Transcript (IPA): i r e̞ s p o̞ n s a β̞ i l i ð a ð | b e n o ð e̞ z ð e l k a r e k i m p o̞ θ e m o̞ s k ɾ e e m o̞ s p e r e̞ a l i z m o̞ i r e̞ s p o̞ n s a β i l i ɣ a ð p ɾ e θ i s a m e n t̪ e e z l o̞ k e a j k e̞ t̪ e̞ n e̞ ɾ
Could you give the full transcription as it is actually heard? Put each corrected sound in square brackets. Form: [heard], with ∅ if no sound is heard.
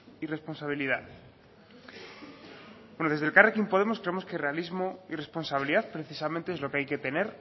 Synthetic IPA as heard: i r e̞ s p o̞ n s a β̞ i l i ð a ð | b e n o ð e̞ z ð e l k a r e k i m p o̞ [ð] e m o̞ s k ɾ e e m o̞ s [k] e r e̞ a l i z m o̞ i r e̞ s p o̞ n s a β i l i [ð] a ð p ɾ e θ i s a m [ẽ] n t̪ e e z l o̞ k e a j k e̞ t̪ e̞ n e̞ ɾ